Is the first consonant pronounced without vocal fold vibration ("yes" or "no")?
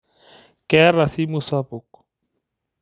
yes